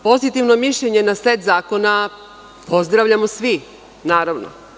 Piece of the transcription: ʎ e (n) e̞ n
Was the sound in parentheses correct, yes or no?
no